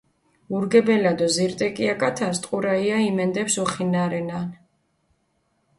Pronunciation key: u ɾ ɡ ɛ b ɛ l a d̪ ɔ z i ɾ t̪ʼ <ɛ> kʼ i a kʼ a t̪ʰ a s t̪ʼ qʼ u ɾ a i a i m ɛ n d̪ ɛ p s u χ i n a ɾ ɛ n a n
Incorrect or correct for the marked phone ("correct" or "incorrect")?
correct